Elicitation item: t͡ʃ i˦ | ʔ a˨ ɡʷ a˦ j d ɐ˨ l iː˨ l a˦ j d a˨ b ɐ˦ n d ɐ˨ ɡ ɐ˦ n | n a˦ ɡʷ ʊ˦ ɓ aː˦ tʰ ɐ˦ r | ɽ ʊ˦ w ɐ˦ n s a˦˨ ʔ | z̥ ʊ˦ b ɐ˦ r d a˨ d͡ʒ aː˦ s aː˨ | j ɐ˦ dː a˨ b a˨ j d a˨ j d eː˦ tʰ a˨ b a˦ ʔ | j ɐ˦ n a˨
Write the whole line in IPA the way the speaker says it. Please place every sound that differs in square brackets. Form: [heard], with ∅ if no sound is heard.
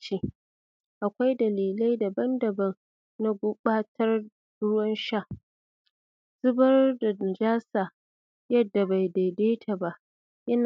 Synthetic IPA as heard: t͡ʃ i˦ | ʔ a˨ [kʷ] a˦ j d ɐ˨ l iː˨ l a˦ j d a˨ b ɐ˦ n d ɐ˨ [b] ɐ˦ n | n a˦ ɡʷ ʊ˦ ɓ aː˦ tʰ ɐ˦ r | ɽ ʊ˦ w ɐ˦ n [ʃ] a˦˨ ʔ | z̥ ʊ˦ b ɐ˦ r d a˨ d͡ʒ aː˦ s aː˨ | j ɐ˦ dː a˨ b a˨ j d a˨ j d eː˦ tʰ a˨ b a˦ ʔ | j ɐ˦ n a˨